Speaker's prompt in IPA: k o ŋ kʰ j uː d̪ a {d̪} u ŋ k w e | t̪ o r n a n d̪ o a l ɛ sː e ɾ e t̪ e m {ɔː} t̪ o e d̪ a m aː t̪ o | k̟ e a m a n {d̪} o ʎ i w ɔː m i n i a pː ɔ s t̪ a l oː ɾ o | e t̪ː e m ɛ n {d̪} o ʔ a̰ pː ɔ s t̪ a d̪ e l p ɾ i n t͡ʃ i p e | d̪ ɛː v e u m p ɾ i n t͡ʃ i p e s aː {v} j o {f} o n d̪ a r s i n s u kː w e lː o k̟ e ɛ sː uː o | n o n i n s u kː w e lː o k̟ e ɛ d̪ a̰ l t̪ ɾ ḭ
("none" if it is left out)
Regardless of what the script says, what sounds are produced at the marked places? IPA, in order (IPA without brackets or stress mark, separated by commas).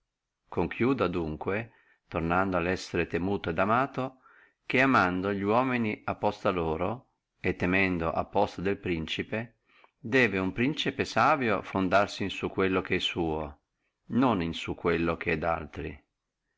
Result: d̪, uː, d̪, d̪, v, f